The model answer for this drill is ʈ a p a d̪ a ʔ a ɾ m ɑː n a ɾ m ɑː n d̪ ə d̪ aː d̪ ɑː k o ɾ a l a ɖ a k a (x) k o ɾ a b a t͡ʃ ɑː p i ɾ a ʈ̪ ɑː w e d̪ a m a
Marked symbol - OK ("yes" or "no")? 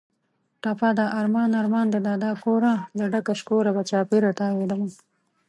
no